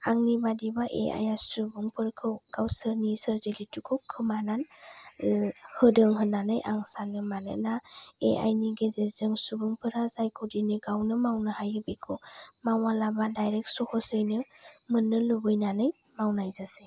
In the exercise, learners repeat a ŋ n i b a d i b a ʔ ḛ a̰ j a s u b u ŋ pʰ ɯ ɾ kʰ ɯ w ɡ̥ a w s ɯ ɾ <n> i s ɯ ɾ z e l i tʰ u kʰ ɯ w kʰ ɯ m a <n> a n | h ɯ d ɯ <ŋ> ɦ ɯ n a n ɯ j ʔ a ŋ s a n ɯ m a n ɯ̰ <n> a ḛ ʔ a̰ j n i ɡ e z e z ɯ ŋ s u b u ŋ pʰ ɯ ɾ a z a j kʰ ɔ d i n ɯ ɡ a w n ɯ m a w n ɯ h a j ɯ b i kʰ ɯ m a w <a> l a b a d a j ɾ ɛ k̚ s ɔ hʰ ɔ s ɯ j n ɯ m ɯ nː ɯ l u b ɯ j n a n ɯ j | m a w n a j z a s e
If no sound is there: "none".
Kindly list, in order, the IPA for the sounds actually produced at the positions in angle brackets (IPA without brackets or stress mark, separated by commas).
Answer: n, n, ŋ, n, a